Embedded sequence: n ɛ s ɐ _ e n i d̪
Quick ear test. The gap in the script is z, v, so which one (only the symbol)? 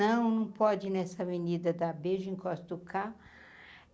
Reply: v